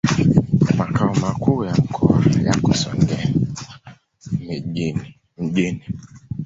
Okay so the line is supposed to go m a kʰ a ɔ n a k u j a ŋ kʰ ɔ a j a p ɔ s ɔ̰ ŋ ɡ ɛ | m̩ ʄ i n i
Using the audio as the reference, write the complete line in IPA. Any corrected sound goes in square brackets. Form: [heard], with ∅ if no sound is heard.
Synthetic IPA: m a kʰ a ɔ [m] a k u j a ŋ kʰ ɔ a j a [k] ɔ s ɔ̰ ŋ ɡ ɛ | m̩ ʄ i n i